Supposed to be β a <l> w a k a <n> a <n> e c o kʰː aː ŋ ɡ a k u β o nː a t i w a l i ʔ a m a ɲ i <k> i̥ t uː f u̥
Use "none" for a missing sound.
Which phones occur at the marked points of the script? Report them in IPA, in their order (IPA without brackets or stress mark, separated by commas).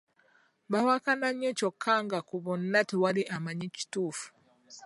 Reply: none, n, ɲ, c